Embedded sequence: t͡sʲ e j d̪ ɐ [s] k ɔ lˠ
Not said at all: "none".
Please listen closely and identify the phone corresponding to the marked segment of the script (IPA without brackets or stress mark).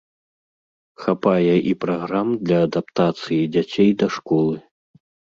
ʂ